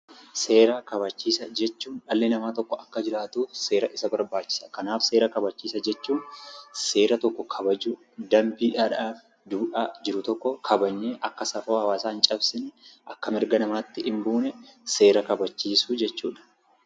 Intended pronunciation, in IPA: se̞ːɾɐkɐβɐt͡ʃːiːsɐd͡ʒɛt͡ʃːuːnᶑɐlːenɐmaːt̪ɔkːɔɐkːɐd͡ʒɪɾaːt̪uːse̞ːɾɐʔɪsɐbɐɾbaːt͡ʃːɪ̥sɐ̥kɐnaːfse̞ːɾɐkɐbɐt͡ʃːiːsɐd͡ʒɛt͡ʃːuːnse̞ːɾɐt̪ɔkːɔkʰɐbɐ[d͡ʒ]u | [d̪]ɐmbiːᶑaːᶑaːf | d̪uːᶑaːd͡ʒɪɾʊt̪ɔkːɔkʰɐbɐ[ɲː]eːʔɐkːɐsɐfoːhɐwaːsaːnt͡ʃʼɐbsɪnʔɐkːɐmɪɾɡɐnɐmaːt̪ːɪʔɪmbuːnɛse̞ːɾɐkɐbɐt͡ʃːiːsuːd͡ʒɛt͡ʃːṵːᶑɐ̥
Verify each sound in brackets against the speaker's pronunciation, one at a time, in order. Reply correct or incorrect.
correct, correct, correct

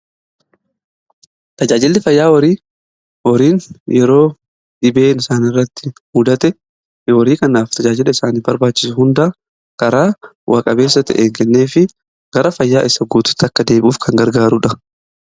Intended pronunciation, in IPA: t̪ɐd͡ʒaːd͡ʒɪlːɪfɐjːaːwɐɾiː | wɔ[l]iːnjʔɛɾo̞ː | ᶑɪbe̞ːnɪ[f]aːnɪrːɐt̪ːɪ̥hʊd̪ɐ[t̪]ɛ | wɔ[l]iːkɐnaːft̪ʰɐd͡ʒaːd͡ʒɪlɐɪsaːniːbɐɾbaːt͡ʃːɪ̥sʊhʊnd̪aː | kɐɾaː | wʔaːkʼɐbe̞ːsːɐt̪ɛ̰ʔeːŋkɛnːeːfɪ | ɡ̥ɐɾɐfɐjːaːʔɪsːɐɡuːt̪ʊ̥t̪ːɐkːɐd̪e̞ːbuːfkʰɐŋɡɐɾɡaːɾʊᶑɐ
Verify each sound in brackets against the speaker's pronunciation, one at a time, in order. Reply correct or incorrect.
incorrect, incorrect, correct, incorrect

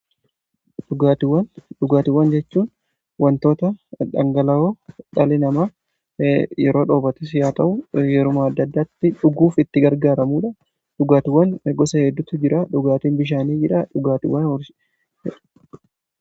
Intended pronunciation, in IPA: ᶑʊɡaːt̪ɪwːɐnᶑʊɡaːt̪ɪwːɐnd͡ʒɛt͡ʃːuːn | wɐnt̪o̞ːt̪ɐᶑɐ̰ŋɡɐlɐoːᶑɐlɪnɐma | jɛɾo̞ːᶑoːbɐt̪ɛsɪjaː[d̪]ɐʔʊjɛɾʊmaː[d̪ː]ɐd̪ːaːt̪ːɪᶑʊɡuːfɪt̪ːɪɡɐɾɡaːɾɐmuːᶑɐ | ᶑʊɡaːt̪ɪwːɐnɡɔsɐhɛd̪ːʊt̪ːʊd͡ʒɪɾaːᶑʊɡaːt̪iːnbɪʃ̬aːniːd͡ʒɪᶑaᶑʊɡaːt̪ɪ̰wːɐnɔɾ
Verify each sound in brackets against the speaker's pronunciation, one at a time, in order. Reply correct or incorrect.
incorrect, correct

